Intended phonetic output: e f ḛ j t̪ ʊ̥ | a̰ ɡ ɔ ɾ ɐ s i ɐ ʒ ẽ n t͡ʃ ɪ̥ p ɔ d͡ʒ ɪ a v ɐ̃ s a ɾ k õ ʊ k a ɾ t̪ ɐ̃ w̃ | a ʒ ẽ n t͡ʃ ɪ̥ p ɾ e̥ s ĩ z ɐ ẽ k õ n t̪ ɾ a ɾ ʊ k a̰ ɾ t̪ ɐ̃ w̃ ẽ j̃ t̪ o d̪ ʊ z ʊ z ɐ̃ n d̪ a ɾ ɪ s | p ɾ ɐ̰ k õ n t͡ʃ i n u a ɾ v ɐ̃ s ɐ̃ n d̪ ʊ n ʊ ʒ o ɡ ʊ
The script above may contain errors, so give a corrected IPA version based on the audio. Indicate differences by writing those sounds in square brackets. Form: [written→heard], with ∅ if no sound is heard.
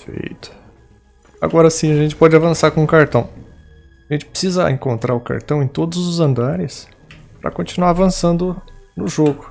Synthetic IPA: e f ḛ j t̪ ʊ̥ | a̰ ɡ ɔ ɾ ɐ s [i→ĩ] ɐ ʒ ẽ n t͡ʃ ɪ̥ p ɔ d͡ʒ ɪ a v ɐ̃ s a ɾ k õ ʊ k a ɾ t̪ ɐ̃ w̃ | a ʒ ẽ n t͡ʃ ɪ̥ p ɾ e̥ s [ĩ→i] z ɐ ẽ k õ n t̪ ɾ a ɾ ʊ k a̰ ɾ t̪ ɐ̃ w̃ ẽ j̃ t̪ o d̪ ʊ z ʊ z ɐ̃ n d̪ a ɾ ɪ s | p ɾ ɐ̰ k õ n t͡ʃ i n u a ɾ v ɐ̃ s ɐ̃ n d̪ ʊ n ʊ ʒ o ɡ ʊ